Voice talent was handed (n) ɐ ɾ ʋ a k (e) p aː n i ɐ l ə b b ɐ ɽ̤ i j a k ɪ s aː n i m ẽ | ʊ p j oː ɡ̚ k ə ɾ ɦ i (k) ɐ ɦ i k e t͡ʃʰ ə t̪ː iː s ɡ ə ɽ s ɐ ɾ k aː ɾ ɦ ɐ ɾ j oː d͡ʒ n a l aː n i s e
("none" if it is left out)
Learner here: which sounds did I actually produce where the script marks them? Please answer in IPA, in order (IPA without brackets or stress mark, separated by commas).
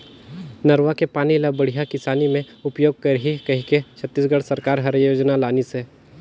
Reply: n, e, k